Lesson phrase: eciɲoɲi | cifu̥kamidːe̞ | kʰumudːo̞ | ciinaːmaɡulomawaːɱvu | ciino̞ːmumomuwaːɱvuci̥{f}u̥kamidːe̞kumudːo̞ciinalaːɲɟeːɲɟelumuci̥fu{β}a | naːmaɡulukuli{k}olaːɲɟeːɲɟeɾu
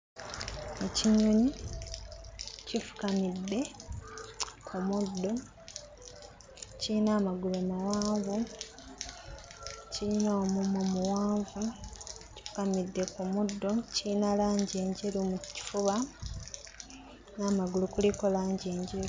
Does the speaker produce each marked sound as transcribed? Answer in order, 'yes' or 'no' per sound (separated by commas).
yes, yes, yes